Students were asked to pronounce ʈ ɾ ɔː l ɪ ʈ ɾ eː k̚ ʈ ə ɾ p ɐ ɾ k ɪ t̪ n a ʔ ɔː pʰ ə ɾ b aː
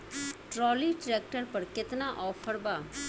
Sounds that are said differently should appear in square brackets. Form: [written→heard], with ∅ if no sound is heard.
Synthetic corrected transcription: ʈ ɾ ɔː l [ɪ→i] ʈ ɾ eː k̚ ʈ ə ɾ p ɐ ɾ k ɪ t̪ n a ʔ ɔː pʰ ə ɾ b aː